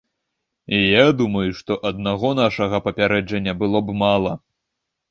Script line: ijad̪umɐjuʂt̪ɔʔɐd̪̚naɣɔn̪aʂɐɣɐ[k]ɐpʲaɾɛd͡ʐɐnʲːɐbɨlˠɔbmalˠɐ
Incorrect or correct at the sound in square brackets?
incorrect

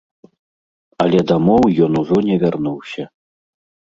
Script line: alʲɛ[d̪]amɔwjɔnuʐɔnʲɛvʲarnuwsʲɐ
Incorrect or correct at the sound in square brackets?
correct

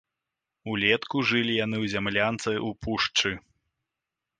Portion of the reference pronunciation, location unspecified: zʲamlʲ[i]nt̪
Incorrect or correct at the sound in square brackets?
incorrect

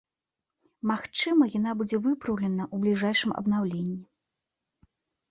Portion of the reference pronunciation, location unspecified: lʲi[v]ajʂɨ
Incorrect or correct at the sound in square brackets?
incorrect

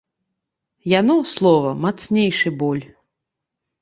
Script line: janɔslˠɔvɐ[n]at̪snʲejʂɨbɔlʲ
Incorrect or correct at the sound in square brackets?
incorrect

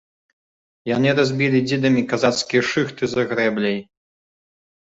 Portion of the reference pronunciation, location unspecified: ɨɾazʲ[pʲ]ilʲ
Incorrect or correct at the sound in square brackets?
incorrect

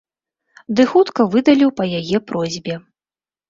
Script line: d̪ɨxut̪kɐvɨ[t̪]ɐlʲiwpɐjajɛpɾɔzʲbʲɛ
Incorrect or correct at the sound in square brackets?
incorrect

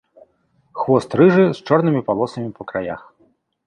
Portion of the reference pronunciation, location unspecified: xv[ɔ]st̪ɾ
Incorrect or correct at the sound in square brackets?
correct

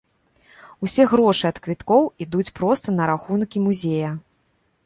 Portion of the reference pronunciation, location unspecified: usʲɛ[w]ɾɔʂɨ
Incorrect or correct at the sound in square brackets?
incorrect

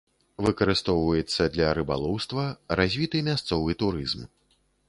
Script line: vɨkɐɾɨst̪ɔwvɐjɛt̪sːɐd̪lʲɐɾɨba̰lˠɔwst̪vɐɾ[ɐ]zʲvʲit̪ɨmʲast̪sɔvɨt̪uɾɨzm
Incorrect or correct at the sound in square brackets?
incorrect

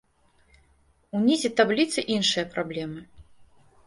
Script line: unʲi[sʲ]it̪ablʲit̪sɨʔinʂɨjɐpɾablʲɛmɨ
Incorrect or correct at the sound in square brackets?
incorrect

